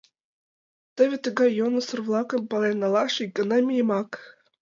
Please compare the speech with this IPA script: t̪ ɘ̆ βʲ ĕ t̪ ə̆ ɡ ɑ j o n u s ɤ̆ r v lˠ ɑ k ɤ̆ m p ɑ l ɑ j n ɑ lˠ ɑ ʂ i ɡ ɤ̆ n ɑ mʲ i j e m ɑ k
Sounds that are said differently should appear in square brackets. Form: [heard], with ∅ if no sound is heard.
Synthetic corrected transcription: t̪ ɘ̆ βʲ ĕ t̪ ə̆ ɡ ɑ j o n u s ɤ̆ r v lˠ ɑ k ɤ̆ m p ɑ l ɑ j n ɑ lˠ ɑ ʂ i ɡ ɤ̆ n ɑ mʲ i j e m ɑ k